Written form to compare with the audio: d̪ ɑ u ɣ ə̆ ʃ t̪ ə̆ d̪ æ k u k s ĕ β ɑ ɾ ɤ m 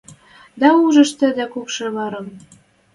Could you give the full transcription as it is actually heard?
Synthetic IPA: d̪ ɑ u ʒ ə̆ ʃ t̪ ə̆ d̪ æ k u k ʃ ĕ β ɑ ɾ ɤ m